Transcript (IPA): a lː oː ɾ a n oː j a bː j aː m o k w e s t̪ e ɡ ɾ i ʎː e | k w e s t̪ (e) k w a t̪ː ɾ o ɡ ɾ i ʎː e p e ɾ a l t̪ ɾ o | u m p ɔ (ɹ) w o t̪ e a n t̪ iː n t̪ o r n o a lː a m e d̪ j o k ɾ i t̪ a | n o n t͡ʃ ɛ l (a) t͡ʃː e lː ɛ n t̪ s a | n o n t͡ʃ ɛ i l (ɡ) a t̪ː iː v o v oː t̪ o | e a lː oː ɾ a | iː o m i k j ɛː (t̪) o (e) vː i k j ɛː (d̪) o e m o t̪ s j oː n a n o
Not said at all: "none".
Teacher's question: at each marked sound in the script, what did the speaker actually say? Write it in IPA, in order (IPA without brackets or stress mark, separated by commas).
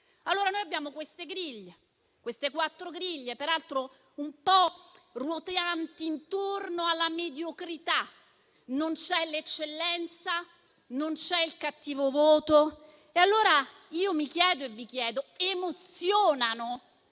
e, r, e, k, d̪, e, d̪